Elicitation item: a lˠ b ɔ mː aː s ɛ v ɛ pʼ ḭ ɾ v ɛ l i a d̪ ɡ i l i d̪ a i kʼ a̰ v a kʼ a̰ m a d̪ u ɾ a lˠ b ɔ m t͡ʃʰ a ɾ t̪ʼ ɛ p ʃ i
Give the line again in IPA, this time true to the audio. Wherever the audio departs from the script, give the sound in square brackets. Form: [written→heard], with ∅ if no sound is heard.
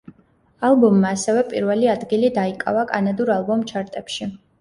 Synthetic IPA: a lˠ b ɔ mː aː s ɛ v ɛ pʼ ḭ ɾ v ɛ l i a d̪ ɡ i l i d̪ a i kʼ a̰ v a kʼ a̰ [m→n] a d̪ u ɾ a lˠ b ɔ m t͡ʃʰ a ɾ t̪ʼ ɛ p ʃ i